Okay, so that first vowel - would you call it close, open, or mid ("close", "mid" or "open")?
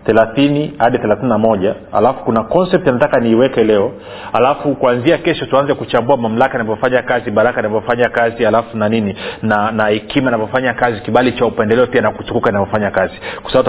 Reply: mid